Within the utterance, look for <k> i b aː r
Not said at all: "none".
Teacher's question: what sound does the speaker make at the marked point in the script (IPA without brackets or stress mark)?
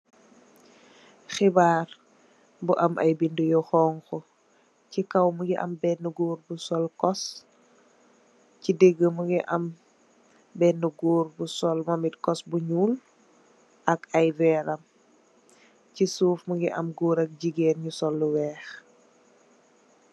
x